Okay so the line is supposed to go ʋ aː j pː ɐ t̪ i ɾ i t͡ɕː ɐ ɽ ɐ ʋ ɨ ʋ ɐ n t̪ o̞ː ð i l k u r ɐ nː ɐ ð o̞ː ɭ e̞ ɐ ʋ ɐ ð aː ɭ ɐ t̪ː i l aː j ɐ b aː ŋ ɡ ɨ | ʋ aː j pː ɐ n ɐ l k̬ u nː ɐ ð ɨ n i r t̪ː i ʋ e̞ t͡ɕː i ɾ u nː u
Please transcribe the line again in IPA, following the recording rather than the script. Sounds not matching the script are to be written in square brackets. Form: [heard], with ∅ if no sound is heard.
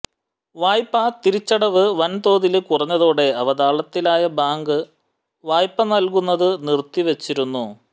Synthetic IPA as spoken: ʋ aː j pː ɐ t̪ i ɾ i t͡ɕː ɐ ɽ ɐ ʋ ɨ ʋ ɐ n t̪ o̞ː ð i l k u r ɐ [ɲː] ɐ ð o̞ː [ɽ] e̞ ɐ ʋ ɐ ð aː ɭ ɐ t̪ː i l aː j ɐ b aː ŋ ɡ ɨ | ʋ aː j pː ɐ n ɐ l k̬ u nː ɐ ð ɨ n i r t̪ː i ʋ e̞ t͡ɕː i ɾ u nː u